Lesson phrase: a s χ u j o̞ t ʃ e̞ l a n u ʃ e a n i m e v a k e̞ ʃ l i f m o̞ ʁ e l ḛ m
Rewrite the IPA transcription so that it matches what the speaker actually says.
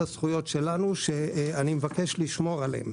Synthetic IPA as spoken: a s χ u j o̞ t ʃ e̞ l a n u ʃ e a n i m e v a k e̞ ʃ l i ʃ m o̞ ʁ a l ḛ m